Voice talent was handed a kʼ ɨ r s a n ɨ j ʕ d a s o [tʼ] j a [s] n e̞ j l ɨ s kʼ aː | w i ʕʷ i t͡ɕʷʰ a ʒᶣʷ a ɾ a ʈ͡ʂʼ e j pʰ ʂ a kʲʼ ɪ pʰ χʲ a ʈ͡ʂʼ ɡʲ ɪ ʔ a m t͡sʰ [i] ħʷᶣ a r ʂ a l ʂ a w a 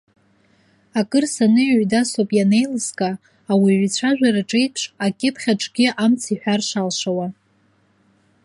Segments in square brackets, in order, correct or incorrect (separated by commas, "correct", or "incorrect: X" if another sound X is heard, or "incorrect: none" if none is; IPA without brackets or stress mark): incorrect: pʼ, incorrect: none, correct